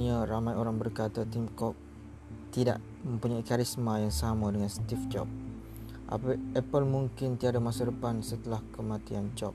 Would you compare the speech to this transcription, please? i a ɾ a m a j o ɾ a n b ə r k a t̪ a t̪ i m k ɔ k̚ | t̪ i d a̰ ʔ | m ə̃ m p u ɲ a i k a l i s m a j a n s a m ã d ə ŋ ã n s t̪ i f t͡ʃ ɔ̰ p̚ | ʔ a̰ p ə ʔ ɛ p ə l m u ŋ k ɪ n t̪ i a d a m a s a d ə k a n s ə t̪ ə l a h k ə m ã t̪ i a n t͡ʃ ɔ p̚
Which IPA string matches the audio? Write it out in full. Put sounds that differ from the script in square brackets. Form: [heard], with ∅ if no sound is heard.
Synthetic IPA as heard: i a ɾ a m a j o ɾ a [ŋ] b ə r k a t̪ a t̪ i m k ɔ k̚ | t̪ i d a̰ ʔ | m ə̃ m p u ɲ a i k a [ɾ] i s m a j a [ŋ] s a m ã d ə ŋ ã n s t̪ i f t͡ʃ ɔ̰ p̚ | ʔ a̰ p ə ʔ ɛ p ə l m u ŋ k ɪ n t̪ i a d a m a s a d ə [p] a n s ə t̪ ə l a h k ə m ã t̪ i a n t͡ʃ ɔ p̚